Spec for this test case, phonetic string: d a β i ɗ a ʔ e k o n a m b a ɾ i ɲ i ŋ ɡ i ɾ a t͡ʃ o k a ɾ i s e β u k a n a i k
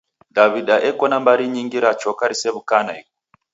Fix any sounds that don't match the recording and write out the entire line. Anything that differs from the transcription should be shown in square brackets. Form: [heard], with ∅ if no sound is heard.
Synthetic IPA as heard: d a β i ɗ a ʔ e k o n a m b a ɾ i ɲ i ŋ ɡ i ɾ a t͡ʃ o k a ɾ i s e β u k a n a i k